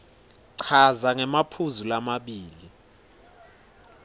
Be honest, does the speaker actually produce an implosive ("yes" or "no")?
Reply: yes